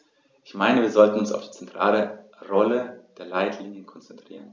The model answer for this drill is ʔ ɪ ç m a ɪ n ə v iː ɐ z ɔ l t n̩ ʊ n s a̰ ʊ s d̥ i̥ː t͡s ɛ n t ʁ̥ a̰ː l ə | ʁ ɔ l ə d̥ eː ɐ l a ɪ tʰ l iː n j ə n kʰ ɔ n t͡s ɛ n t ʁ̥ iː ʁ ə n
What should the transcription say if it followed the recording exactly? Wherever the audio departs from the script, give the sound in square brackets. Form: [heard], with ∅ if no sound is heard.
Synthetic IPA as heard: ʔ ɪ ç m a ɪ n ə v iː ɐ z ɔ l t n̩ ʊ n s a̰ ʊ [f] d̥ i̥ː t͡s ɛ n t ʁ̥ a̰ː l ə | ʁ ɔ l ə d̥ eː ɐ l a ɪ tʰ l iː n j ə n kʰ ɔ n t͡s ɛ n t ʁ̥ iː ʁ ə n